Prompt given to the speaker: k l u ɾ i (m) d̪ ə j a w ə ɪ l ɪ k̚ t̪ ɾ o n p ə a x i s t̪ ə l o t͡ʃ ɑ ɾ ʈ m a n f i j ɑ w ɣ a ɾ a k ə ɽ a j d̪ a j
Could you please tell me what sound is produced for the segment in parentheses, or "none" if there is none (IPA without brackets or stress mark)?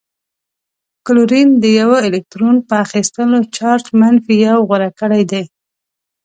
n